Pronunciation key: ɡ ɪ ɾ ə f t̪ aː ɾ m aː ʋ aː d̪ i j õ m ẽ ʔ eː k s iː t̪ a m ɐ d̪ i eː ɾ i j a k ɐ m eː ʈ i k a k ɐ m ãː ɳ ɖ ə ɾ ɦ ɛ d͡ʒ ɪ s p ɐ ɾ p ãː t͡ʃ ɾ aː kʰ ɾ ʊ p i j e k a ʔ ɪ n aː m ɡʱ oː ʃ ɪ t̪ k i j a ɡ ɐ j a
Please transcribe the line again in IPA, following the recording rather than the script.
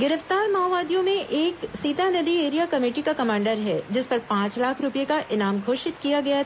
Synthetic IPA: ɡ ɪ ɾ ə f t̪ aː ɾ m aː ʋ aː d̪ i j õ m ẽ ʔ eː k s iː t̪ a n ɐ d̪ i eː ɾ i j a k ɐ m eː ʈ i k a k ɐ m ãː ɳ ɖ ə ɾ ɦ ɛ d͡ʒ ɪ s p ɐ ɾ p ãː t͡ʃ l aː kʰ ɾ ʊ p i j e k a ʔ ɪ n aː m ɡʱ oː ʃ ɪ t̪ k i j a ɡ ɐ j a